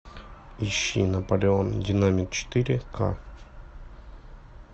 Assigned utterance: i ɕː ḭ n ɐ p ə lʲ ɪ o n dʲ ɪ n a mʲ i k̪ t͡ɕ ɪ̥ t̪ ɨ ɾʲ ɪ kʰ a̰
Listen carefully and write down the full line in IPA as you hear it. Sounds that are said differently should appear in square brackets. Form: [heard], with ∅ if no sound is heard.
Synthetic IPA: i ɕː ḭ n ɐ p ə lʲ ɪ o n dʲ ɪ n a mʲ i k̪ t͡ɕ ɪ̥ t̪ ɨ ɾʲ ɪ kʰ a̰